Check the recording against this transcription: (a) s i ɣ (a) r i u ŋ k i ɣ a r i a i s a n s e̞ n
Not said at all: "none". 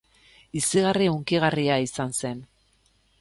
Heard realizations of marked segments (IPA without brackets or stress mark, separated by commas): i, a